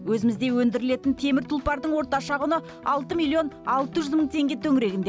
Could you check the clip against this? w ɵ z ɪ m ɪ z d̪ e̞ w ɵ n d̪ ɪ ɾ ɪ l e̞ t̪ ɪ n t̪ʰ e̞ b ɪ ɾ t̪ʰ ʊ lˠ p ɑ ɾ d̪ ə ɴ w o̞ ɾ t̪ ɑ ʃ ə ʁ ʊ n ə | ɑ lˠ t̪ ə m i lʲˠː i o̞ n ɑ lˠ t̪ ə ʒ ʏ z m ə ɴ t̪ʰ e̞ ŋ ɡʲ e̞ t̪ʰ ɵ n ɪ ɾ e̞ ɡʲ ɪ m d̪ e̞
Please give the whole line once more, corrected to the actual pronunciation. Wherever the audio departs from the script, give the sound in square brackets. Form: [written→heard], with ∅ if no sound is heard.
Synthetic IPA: w ɵ z ɪ m ɪ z d̪ e̞ w ɵ n d̪ ɪ ɾ ɪ l e̞ t̪ ɪ n t̪ʰ e̞ [b→m] ɪ ɾ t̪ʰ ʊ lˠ p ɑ ɾ d̪ ə ɴ w o̞ ɾ t̪ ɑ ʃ [ə→ɑ] ʁ ʊ n ə | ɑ lˠ t̪ ə m i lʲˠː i o̞ n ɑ lˠ t̪ ə ʒ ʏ z m ə ɴ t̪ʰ e̞ ŋ ɡʲ e̞ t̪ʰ ɵ [n→ŋ] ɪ ɾ e̞ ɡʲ ɪ [m→n] d̪ e̞